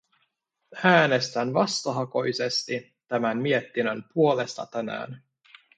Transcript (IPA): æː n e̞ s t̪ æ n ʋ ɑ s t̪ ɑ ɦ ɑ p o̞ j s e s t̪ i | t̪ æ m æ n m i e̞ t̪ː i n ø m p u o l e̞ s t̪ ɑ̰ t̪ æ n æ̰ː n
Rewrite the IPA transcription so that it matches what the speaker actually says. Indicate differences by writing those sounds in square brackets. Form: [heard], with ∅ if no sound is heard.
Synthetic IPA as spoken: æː n e̞ s t̪ æ n ʋ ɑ s t̪ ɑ ɦ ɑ [k] o̞ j s e s t̪ i | t̪ æ m æ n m i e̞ t̪ː i n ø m p u o l e̞ s t̪ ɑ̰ t̪ æ n æ̰ː n

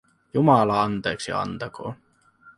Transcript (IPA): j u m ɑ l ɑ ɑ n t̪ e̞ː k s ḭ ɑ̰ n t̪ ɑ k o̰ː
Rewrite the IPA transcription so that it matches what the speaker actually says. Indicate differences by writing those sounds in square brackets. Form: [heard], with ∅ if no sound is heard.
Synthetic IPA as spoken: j u m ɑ l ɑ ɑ n t̪ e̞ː k s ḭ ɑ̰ n t̪ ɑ k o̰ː

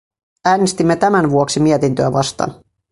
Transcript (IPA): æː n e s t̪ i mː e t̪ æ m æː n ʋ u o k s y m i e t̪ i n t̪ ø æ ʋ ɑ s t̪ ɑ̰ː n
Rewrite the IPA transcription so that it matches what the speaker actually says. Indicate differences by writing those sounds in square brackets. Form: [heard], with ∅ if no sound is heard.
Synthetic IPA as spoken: æː n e s t̪ i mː e t̪ æ m [æ] n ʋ u o k s [i] m i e t̪ i n t̪ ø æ ʋ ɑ s t̪ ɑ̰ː n

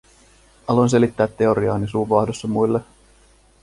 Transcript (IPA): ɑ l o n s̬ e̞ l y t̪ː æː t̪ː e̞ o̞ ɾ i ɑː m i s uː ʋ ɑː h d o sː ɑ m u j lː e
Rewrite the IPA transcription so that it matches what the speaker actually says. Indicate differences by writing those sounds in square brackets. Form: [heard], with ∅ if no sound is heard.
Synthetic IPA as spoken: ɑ l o n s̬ e̞ l [i] t̪ː æː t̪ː e̞ o̞ ɾ i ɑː [n] i s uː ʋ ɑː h d o sː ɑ m u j lː e

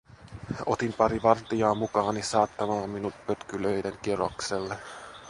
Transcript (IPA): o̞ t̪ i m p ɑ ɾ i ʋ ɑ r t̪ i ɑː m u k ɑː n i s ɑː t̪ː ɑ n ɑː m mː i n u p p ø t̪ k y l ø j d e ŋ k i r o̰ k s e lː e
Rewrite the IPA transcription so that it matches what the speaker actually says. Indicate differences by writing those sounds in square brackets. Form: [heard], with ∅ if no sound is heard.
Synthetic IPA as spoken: o̞ t̪ i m p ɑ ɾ i ʋ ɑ r t̪ i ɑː m u k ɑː n i s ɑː t̪ː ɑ [m] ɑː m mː i n u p p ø t̪ k y l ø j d e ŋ k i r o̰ k s e lː e

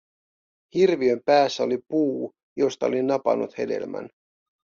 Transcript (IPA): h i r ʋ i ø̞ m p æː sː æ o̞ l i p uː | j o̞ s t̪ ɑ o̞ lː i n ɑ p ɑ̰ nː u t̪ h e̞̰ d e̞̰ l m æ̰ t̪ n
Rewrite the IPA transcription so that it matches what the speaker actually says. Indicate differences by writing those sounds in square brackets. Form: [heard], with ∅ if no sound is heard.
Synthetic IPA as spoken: h i r ʋ i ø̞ m p æː sː æ o̞ l i p uː | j o̞ s t̪ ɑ o̞ [l] i n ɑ p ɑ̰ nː u t̪ h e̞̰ d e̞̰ l m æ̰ [∅] n

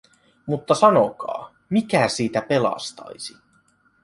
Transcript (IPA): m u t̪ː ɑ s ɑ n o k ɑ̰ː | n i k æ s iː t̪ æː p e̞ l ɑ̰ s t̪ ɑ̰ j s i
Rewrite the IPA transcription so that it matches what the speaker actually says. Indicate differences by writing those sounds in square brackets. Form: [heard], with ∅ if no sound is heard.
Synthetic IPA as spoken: m u t̪ː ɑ s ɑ n o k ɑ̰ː | [m] i k æ s iː t̪ [æ] p e̞ l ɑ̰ s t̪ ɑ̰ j s i

